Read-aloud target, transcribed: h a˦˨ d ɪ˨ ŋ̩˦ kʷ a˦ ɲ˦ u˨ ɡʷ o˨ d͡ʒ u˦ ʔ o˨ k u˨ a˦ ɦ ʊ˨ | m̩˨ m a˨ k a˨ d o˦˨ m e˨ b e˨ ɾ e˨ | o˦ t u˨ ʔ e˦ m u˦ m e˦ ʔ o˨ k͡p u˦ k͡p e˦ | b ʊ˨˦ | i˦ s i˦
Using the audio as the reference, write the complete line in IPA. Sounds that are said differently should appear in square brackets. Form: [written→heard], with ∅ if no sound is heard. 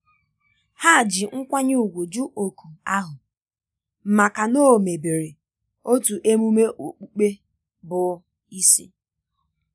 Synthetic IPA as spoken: h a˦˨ [d→d͡ʒ] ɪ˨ ŋ̩˦ kʷ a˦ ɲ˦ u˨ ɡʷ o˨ d͡ʒ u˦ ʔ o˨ k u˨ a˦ ɦ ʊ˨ | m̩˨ m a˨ k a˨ [d→n] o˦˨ m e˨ b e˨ ɾ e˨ | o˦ t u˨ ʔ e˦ m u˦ m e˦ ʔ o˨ k͡p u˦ k͡p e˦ | b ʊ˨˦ | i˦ s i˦